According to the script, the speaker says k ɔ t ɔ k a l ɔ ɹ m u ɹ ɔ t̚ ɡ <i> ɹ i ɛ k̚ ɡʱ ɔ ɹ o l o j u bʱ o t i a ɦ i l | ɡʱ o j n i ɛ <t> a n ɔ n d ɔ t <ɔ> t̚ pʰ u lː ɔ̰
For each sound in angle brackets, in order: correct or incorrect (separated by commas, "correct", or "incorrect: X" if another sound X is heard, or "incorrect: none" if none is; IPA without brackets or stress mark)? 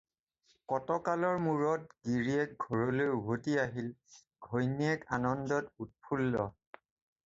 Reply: correct, incorrect: k, incorrect: u